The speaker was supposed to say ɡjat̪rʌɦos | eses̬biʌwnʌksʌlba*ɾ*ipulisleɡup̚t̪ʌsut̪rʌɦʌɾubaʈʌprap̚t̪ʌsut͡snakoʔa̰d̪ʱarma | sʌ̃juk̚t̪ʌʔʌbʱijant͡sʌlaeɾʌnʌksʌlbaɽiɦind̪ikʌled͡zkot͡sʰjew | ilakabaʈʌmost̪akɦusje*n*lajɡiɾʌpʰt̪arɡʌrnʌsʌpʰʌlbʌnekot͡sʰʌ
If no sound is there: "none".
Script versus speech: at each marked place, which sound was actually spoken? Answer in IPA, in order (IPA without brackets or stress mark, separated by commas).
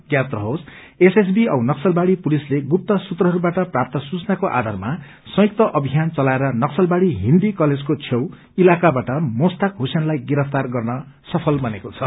ɽ, n